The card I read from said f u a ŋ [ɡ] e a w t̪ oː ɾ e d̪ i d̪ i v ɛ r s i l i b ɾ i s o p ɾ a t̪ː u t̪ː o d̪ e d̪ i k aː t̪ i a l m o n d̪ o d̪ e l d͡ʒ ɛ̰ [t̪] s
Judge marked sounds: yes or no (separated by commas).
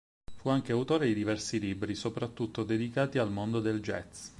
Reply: no, yes